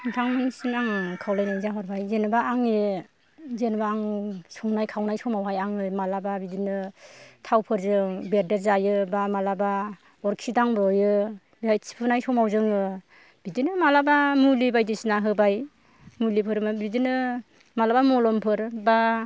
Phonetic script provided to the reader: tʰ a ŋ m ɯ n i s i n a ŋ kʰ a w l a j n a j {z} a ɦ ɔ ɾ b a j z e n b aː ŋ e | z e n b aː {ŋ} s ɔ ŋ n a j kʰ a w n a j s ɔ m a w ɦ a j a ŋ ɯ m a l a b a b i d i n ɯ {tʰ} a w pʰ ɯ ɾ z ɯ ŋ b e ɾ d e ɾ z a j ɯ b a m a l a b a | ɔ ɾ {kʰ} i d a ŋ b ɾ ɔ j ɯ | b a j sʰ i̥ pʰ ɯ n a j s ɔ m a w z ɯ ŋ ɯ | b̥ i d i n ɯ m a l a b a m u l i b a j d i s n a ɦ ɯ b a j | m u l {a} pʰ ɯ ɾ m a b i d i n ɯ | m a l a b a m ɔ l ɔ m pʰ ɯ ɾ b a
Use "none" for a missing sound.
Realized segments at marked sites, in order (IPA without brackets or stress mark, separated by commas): z, ŋ, tʰ, kʰ, i